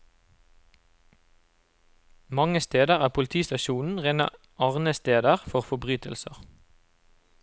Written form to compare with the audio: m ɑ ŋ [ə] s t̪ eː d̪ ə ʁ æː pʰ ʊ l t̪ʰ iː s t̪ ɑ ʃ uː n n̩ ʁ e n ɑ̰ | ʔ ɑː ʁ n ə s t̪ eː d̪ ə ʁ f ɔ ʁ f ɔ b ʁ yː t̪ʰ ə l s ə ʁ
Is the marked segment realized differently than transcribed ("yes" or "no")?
no